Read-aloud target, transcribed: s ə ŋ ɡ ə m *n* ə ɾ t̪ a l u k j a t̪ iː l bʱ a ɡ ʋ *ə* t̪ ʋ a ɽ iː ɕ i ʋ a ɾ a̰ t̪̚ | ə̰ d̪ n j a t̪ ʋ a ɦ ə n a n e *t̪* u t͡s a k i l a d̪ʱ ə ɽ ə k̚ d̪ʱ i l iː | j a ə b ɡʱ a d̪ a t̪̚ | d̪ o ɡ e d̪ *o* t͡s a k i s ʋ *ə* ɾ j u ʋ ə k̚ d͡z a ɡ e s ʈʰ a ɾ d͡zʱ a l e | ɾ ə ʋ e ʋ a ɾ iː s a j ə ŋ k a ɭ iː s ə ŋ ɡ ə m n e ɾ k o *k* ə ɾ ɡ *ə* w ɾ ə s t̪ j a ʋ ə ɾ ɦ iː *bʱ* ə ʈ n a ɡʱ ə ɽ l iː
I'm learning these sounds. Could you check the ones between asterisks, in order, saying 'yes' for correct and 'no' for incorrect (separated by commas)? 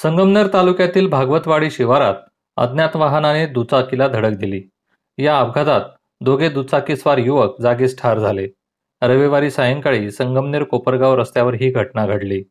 yes, yes, no, no, no, no, no, no